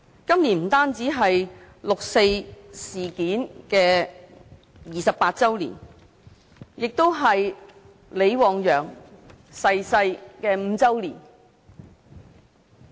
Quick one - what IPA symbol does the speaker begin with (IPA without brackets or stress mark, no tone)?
k